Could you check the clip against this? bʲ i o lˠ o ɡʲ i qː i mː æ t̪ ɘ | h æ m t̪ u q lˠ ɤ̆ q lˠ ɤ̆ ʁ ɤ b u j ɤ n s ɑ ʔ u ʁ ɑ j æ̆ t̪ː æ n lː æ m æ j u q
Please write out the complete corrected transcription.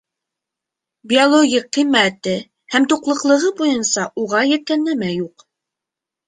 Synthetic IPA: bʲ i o lˠ o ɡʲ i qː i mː æ t̪ ɘ | h æ m t̪ u q lˠ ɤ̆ q lˠ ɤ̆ ʁ ɤ b u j ɤ n s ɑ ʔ u ʁ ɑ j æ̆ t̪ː æ n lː æ m æ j u q